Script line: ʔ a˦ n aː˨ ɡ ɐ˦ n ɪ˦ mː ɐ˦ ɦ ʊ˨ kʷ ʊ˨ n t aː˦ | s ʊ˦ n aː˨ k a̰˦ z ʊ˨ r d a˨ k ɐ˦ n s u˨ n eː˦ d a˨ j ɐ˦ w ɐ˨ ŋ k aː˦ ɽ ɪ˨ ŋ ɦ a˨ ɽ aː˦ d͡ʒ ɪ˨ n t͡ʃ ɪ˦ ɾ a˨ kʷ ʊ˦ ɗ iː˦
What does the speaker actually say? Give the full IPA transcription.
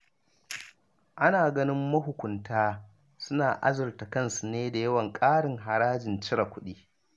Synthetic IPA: ʔ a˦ n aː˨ ɡ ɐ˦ n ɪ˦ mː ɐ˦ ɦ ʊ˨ kʷ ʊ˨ n t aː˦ | s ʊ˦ n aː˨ ʔ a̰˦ z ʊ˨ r t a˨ k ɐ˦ n s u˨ n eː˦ d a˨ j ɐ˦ w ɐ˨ ŋ kʼ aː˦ ɽ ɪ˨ ŋ ɦ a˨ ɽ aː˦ d͡ʒ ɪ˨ n t͡ʃ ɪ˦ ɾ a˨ kʷ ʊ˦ ɗ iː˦